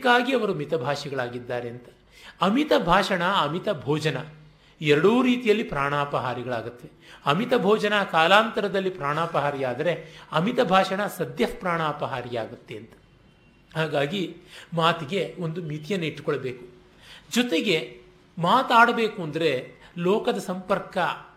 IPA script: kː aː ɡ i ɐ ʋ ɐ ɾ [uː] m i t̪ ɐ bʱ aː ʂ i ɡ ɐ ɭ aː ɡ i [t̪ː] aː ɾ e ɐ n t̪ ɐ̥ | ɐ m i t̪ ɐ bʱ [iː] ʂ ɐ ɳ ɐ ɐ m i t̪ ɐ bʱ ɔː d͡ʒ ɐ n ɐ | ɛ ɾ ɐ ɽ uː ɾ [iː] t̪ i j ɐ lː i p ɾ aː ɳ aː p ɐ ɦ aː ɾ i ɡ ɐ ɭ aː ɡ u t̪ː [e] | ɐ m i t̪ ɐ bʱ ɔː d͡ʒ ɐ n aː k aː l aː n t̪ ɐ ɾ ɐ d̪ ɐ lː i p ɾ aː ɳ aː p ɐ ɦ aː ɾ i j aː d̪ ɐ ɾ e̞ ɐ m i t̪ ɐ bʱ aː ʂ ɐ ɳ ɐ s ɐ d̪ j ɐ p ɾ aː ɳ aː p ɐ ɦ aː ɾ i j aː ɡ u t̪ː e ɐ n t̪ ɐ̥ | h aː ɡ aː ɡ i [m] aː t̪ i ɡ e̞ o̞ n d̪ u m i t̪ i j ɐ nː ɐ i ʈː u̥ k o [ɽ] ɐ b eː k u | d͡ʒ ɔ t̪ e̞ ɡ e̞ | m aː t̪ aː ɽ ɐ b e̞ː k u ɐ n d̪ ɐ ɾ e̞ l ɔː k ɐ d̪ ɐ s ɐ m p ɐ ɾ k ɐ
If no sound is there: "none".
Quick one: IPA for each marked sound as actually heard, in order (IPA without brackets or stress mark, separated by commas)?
u, d̪ː, aː, iː, e, m, ɭ